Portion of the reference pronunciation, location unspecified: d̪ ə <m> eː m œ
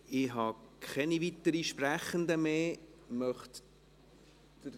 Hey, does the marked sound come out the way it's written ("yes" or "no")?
yes